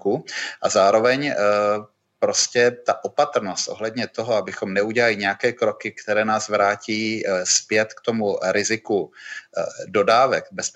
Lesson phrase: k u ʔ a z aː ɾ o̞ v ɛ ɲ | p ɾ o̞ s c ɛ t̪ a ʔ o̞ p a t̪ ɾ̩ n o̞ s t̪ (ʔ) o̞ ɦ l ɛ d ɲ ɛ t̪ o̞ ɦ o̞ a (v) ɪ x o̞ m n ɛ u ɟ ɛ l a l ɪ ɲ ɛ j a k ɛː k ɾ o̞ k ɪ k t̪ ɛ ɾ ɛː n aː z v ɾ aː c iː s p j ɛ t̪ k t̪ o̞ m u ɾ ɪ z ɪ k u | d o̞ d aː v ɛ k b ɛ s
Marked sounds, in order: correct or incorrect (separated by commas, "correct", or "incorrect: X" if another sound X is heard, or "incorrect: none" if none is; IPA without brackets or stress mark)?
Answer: correct, incorrect: b